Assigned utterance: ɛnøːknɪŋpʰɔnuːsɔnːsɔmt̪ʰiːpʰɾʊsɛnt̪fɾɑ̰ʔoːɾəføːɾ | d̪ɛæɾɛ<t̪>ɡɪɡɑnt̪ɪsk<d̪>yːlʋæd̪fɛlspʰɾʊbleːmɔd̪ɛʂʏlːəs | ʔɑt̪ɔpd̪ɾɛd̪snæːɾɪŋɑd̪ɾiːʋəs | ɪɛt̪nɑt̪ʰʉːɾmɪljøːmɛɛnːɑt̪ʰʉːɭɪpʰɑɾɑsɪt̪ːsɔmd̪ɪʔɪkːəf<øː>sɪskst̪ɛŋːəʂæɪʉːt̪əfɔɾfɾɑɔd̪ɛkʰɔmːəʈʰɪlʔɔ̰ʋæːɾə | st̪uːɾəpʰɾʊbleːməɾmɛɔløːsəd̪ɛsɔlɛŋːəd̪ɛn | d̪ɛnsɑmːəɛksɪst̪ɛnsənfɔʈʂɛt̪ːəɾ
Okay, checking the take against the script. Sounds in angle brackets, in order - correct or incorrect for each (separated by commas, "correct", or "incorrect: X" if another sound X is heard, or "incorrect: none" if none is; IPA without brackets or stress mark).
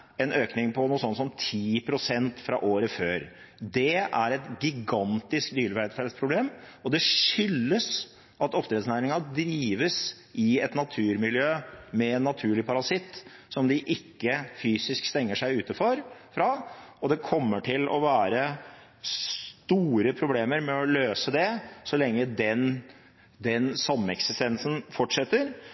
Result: correct, correct, incorrect: yː